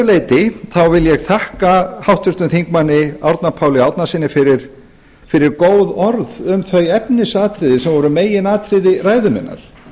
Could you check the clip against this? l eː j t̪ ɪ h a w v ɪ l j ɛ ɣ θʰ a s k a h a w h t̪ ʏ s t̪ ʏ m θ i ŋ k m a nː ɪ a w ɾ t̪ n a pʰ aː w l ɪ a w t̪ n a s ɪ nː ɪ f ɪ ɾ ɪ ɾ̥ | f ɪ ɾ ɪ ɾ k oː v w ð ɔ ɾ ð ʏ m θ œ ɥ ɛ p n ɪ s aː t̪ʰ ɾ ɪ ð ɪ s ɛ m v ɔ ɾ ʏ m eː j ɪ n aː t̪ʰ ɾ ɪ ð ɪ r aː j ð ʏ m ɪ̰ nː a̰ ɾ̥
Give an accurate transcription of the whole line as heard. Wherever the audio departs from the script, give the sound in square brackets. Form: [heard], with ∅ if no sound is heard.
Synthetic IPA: l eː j t̪ ɪ [θ] a w v ɪ l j ɛ ɣ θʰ a [h] k a h a w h t̪ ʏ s t̪ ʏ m θ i ŋ k m a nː ɪ a w ɾ t̪ n a pʰ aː w l ɪ a w t̪ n a s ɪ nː ɪ f ɪ ɾ ɪ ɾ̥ | f ɪ ɾ ɪ ɾ k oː [∅] w ð ɔ ɾ ð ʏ m θ œ ɥ ɛ p n ɪ s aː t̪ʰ ɾ ɪ ð ɪ s ɛ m v ɔ ɾ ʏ m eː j ɪ n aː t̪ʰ ɾ ɪ ð ɪ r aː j ð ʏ m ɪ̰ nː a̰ ɾ̥